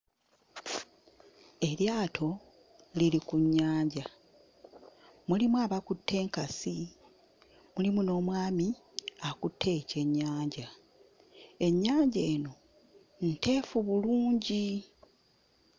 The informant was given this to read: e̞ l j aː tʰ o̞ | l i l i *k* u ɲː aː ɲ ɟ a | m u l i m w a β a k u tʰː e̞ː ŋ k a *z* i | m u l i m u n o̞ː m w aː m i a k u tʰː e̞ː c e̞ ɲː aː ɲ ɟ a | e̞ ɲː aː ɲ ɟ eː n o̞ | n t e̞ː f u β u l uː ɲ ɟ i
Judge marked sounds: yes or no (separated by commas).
yes, no